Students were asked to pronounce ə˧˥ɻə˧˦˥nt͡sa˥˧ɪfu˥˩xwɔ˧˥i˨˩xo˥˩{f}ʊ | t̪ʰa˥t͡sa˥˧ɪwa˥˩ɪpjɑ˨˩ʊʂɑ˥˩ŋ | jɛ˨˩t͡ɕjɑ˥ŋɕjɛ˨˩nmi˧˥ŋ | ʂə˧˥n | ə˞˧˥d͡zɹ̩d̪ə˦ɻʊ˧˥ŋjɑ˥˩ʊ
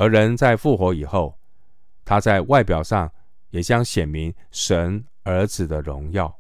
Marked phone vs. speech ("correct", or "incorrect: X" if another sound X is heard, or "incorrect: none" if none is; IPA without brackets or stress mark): incorrect: none